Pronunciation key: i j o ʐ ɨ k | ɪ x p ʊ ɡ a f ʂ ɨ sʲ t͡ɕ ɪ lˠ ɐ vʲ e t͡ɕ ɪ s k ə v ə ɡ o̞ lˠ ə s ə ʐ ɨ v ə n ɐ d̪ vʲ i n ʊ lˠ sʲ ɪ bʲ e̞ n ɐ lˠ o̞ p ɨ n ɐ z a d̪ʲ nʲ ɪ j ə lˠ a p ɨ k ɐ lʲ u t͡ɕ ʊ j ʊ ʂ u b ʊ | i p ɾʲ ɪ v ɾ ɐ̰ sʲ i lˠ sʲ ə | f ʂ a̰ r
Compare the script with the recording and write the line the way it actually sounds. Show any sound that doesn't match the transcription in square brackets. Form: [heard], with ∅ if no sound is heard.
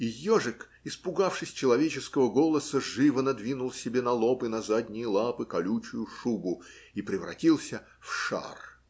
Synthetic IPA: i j o ʐ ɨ k | ɪ [s] p ʊ ɡ a f ʂ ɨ sʲ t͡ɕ ɪ lˠ ɐ vʲ e t͡ɕ ɪ s k ə v ə ɡ o̞ lˠ ə s ə ʐ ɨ v ə n ɐ d̪ vʲ i n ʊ lˠ sʲ ɪ bʲ e̞ n ɐ lˠ o̞ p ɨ n ɐ z a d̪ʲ nʲ ɪ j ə lˠ a p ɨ k ɐ lʲ u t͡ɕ ʊ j ʊ ʂ u b ʊ | i p ɾʲ ɪ v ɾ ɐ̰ [tʲ] i lˠ sʲ ə | f ʂ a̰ r